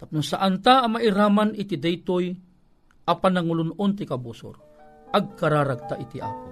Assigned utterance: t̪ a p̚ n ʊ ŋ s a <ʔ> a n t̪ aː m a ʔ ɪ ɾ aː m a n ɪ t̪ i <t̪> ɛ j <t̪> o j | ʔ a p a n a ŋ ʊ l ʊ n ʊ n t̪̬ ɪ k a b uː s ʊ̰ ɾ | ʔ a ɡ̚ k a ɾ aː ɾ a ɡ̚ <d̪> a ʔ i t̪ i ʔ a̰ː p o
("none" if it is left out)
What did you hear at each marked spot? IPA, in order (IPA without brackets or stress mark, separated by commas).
ʔ, d̪, t̪, t̪